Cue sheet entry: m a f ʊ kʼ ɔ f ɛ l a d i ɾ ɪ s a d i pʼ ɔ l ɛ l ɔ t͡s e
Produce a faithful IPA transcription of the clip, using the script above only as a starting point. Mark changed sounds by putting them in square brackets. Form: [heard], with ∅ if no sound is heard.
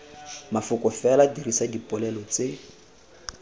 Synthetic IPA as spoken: m a f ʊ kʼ ɔ f ɛ l a d i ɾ [i] s a d i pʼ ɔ l ɛ l ɔ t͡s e

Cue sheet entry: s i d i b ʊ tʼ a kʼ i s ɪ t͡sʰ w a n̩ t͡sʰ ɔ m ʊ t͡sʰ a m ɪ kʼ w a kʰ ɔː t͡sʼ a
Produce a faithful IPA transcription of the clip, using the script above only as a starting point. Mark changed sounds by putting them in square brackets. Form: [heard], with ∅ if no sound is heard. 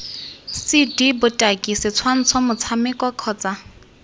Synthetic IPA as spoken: s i d i b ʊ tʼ a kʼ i s ɪ t͡sʰ w a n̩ t͡sʰ ɔ m ʊ t͡sʰ a m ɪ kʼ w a kʰ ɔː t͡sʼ a

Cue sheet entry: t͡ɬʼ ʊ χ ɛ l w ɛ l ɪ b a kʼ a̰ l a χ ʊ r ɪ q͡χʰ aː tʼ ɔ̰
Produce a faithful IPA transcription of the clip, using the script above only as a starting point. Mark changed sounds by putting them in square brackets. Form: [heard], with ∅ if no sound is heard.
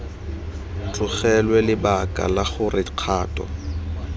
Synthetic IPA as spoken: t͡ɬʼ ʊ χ ɛ l w ɛ l ɪ b a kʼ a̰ l a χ ʊ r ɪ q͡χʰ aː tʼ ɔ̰

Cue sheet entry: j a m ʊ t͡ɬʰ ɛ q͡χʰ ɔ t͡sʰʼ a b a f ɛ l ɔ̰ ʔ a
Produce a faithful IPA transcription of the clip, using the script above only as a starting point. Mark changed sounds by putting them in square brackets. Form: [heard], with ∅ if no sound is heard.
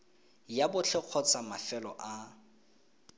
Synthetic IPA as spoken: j a [b] ʊ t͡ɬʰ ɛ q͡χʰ ɔ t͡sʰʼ a [m] a f ɛ l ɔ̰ ʔ a

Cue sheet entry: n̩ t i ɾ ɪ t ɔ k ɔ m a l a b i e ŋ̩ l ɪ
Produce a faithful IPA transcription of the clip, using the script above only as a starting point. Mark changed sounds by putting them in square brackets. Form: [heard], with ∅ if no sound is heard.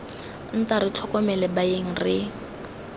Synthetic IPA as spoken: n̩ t [a] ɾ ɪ [t͡ɬʰ] ɔ k ɔ m [ɛ] l [ɛ] b [a] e ŋ̩ [r] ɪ

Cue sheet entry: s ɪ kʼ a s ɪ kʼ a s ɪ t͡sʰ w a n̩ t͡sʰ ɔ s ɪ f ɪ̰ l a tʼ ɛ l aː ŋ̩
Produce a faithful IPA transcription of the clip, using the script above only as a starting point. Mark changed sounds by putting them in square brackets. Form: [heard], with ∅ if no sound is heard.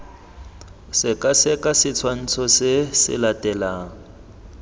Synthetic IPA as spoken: s ɪ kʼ a s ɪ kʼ a s ɪ t͡sʰ w a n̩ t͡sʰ ɔ s ɪ [s] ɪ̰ l a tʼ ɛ l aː ŋ̩

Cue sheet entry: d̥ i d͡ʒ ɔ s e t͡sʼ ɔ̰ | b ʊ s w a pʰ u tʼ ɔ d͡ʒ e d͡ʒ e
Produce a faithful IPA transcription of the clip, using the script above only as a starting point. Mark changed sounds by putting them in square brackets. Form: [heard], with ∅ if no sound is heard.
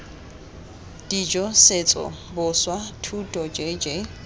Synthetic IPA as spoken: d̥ i d͡ʒ ɔ s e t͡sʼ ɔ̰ | b ʊ s w a [tʰ] u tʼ ɔ d͡ʒ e d͡ʒ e

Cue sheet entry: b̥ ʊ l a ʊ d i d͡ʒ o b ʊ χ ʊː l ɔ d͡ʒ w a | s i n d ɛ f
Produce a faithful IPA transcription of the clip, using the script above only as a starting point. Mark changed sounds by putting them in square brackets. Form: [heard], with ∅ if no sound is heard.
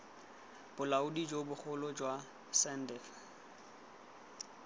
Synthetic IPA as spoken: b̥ ʊ l a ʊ d i d͡ʒ o b ʊ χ [ʊ] l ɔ d͡ʒ w a | s [ɛ] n d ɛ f

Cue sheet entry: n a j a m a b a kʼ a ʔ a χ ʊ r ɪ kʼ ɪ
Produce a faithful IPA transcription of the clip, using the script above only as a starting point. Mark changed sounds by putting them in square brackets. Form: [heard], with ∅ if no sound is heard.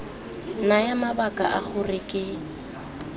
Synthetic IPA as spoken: n a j a m a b a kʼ a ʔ a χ ʊ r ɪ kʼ ɪ

